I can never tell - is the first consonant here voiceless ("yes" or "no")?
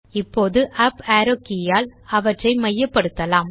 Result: yes